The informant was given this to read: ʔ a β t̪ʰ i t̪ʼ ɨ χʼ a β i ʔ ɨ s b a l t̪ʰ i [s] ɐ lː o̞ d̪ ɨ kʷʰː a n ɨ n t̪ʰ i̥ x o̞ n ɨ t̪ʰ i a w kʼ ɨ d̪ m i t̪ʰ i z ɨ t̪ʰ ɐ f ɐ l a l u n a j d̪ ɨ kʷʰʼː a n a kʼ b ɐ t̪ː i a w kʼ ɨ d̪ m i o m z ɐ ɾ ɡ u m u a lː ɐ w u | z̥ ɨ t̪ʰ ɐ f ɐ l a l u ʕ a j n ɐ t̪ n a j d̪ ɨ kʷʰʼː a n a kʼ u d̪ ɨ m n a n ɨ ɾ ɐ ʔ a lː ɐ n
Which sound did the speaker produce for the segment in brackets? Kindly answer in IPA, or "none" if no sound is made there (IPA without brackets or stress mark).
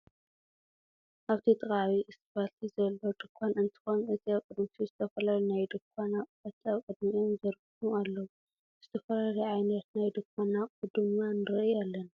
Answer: z